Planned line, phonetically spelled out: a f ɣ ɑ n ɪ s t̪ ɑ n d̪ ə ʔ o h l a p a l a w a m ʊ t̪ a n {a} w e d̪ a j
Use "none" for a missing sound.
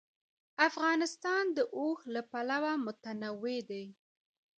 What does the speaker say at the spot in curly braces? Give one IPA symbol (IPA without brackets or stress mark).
a